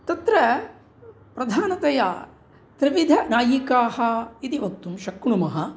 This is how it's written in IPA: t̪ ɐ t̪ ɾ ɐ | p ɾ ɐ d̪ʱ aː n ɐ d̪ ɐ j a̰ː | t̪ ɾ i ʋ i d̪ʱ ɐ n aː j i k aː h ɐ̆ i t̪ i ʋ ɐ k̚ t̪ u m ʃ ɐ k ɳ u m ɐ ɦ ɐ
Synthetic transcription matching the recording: t̪ ɐ t̪ ɾ ɐ | p ɾ ɐ d̪ʱ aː n ɐ t̪ ɐ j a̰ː | t̪ ɾ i ʋ i d̪ʱ ɐ n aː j i k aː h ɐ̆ i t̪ i ʋ ɐ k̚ t̪ u m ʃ ɐ k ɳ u m ɐ ɦ ɐ